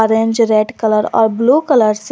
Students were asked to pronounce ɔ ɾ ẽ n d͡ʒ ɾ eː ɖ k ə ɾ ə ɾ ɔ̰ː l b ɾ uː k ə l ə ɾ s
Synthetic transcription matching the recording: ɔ ɾ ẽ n d͡ʒ ɾ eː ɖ k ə l ə ɾ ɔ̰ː ɾ b l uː k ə l ə ɾ s